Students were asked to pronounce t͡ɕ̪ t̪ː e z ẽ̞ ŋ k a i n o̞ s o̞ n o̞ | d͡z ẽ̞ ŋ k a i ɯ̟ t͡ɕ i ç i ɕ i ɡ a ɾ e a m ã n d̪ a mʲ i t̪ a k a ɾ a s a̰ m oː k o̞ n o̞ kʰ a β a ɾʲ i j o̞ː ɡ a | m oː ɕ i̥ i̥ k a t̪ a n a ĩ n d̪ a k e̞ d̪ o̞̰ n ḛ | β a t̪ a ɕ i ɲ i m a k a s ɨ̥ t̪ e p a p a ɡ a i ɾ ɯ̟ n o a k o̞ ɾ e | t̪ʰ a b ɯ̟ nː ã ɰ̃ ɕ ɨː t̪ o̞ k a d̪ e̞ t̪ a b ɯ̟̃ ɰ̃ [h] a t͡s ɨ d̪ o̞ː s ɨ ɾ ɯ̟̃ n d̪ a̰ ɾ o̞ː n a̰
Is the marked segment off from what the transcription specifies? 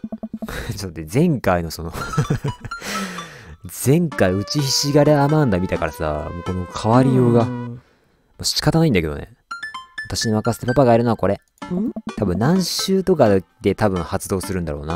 no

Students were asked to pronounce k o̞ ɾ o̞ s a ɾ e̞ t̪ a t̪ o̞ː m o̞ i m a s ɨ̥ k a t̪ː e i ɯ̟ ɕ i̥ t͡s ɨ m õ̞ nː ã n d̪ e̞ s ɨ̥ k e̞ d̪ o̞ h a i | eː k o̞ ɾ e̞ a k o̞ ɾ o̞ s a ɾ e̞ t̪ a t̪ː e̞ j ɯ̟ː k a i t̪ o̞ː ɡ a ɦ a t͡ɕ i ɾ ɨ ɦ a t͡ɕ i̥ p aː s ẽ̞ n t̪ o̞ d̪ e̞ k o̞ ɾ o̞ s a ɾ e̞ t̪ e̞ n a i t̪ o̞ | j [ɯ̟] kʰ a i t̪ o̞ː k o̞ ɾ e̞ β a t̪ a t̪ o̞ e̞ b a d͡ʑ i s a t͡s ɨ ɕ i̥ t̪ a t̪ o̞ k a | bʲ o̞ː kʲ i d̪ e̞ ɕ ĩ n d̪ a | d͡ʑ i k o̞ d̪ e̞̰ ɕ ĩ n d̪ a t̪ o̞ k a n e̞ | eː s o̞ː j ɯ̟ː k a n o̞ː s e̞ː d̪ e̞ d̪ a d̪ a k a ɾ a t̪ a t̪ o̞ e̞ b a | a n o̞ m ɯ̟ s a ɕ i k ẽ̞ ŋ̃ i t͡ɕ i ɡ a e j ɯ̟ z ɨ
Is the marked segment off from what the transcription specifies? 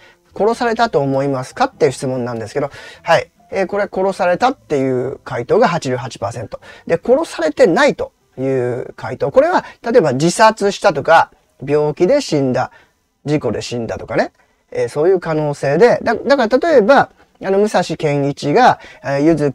yes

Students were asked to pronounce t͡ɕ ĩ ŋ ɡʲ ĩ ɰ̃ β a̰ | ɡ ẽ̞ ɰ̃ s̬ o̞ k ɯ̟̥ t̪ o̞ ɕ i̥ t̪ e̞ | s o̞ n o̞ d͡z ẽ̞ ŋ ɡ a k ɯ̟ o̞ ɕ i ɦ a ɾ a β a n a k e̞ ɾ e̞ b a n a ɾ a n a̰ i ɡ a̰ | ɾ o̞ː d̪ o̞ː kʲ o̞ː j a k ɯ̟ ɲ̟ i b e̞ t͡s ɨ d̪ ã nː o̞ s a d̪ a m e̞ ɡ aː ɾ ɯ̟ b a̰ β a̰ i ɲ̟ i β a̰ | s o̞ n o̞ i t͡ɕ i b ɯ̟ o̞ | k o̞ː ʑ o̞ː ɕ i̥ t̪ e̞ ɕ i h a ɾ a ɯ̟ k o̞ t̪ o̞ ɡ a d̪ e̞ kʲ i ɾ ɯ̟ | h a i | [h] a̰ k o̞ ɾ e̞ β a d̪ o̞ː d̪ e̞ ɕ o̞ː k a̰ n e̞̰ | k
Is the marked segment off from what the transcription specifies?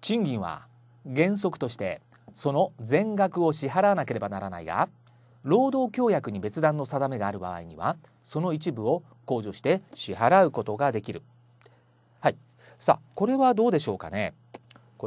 yes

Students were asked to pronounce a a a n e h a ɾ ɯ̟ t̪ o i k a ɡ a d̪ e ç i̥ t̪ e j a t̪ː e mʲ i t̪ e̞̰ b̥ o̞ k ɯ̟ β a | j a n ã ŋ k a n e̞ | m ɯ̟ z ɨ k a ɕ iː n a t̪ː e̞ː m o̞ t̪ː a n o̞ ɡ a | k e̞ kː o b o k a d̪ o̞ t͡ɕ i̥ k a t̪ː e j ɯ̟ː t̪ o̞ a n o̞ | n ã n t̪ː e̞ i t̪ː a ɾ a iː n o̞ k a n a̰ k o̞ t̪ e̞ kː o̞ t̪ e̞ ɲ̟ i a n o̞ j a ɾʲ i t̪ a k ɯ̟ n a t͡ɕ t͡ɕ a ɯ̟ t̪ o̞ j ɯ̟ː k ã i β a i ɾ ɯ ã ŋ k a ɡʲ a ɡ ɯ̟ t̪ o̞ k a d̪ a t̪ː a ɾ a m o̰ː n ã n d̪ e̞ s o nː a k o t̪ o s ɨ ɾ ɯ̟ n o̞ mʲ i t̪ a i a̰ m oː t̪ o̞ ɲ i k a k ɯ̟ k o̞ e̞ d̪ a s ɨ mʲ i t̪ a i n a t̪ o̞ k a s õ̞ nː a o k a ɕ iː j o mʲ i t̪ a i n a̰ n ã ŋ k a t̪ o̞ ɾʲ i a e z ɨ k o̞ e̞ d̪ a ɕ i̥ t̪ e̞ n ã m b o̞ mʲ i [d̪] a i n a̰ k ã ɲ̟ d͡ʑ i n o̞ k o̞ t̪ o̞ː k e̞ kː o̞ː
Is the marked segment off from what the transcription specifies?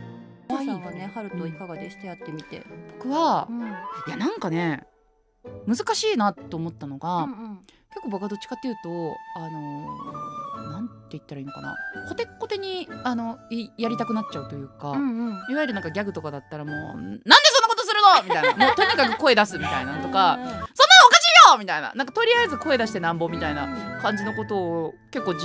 yes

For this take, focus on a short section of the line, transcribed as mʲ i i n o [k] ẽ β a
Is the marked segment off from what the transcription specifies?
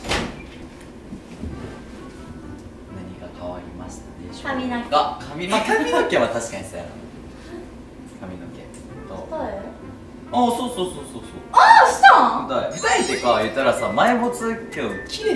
no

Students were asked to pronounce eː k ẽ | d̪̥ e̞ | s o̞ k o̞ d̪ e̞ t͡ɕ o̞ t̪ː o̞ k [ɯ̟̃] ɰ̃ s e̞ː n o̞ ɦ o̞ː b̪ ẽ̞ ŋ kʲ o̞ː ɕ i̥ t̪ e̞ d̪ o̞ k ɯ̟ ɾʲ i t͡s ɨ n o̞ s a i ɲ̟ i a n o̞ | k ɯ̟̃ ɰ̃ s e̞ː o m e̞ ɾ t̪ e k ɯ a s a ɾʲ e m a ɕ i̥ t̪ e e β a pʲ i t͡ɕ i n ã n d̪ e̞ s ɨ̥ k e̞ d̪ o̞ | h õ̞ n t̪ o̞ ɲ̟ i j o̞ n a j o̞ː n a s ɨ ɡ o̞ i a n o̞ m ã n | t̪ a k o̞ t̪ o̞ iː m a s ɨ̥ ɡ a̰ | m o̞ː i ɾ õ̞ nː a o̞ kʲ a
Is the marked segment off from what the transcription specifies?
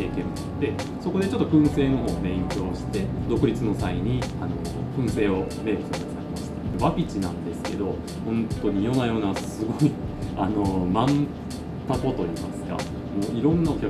no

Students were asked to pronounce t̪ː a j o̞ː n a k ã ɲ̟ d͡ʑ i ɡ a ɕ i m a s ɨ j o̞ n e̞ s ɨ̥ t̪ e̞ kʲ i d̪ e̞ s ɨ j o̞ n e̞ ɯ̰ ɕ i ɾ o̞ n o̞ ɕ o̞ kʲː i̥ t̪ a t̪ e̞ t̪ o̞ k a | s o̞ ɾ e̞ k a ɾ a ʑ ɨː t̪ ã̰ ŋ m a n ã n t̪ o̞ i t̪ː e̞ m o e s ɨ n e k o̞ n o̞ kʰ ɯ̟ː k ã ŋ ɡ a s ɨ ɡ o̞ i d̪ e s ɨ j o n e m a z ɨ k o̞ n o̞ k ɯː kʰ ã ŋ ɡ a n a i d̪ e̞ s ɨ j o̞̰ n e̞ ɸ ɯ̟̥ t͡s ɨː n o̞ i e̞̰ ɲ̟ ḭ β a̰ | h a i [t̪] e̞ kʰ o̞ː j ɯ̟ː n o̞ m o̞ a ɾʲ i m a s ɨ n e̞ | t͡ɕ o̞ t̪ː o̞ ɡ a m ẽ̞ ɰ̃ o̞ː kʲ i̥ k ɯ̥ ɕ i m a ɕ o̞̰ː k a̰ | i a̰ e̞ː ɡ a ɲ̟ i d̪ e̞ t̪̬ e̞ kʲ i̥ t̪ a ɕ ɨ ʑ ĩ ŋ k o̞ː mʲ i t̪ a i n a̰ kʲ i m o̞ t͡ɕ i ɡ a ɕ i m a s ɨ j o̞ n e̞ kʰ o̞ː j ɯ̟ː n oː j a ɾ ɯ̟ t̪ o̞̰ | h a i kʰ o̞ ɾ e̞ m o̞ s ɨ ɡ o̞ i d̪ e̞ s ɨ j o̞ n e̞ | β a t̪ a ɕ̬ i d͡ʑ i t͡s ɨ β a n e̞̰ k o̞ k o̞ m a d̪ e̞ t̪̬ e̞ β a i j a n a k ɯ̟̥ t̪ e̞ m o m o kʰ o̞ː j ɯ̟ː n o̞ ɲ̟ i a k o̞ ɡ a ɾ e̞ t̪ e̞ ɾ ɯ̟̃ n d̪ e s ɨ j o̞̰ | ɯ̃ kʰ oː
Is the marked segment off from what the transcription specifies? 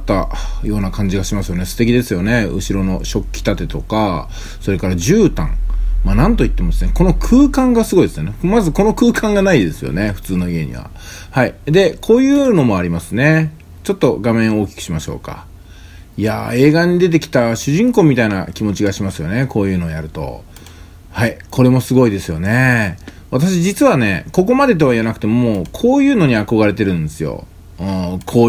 yes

